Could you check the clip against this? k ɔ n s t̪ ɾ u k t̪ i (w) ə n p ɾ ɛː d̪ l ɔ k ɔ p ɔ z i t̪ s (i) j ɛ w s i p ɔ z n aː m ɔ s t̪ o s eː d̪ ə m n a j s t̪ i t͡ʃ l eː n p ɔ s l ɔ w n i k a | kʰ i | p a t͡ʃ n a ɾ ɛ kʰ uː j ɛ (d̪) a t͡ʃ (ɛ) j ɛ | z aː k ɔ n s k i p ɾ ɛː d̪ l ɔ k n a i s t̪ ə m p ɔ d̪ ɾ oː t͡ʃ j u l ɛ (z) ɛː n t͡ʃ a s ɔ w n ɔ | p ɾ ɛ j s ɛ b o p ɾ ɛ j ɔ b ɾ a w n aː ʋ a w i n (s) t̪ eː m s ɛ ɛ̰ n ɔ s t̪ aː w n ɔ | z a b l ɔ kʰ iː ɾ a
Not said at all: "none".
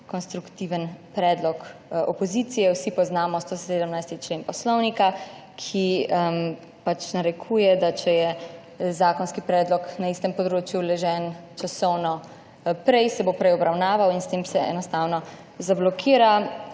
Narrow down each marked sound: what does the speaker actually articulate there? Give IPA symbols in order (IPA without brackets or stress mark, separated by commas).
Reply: ʋ, i, d̪, ɛ, ʒ, s